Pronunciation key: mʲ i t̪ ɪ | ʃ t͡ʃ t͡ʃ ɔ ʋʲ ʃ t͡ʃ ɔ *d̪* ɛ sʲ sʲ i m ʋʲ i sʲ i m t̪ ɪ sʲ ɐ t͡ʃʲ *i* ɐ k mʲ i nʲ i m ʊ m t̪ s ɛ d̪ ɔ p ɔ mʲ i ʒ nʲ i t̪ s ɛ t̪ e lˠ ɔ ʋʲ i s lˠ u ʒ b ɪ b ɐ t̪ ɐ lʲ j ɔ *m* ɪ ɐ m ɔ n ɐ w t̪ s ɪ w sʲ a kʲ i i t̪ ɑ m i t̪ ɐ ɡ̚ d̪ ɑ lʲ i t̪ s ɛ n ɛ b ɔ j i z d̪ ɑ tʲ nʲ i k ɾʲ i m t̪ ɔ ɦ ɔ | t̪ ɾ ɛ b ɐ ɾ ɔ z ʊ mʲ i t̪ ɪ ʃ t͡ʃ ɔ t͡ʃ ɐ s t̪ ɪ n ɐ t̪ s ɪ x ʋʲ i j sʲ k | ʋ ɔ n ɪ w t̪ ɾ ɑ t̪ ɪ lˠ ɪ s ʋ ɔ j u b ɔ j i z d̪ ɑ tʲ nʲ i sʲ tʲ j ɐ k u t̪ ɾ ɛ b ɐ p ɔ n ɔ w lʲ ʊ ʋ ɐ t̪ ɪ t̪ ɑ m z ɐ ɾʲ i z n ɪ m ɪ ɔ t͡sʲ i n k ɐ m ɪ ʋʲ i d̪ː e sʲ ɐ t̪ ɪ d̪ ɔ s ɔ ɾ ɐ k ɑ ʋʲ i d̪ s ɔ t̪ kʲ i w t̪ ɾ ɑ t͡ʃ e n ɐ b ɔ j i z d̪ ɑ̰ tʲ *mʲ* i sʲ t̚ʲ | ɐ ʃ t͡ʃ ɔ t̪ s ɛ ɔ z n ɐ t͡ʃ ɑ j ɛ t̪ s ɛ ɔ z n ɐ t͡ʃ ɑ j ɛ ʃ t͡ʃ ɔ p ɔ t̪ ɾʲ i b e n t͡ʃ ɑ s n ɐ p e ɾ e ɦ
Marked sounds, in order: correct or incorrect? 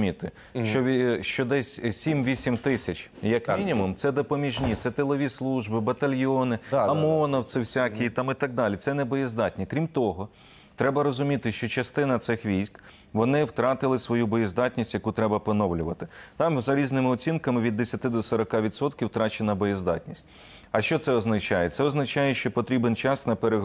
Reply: correct, incorrect: j, incorrect: n, incorrect: nʲ

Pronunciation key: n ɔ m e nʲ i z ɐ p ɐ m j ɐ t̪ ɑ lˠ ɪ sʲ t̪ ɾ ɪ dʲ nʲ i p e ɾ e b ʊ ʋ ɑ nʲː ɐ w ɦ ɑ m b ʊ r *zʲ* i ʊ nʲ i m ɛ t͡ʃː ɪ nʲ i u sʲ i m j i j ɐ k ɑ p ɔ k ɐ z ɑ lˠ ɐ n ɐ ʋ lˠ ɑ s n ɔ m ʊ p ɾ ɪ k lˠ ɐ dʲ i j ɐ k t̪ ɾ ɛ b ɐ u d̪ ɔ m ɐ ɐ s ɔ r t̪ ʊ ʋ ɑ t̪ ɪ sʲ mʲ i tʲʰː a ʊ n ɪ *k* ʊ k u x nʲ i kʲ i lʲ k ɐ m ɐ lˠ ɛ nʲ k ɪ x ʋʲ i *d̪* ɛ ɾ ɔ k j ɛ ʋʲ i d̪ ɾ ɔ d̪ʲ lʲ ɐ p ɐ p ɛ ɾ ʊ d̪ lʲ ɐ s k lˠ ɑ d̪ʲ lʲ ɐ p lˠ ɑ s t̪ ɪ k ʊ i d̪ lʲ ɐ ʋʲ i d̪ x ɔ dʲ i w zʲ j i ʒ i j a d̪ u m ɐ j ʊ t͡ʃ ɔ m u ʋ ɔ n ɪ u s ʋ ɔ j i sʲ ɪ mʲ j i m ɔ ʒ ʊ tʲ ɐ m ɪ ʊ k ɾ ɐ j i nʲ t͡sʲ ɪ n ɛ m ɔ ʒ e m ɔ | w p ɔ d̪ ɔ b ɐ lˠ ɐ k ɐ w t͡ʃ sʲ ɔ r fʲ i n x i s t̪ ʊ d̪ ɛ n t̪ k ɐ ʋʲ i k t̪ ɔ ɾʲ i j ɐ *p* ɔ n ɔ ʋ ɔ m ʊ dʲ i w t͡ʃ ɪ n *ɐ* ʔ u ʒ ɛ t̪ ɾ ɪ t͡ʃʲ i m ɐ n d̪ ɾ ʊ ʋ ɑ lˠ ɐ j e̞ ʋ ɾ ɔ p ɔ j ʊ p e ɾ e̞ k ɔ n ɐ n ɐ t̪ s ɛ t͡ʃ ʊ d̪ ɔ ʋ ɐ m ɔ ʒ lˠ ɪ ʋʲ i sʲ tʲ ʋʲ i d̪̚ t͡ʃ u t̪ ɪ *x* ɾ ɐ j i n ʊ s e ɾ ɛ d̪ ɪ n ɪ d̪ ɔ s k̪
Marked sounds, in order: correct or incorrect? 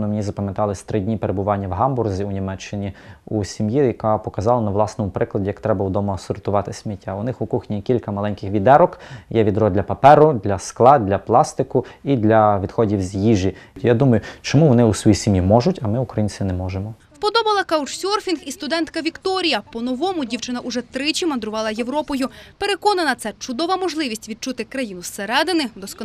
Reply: correct, incorrect: x, correct, correct, correct, incorrect: k

